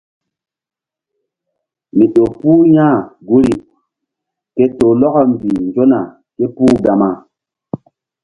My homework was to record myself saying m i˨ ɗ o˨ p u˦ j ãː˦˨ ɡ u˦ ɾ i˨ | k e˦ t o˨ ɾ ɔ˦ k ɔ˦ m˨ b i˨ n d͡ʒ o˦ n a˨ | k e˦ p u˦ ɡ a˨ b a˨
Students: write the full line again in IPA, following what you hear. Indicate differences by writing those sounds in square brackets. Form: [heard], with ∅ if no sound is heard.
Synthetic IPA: m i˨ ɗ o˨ p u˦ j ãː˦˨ ɡ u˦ ɾ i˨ | k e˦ t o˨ [l] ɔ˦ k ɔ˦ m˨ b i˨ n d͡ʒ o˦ n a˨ | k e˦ p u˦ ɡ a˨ [m] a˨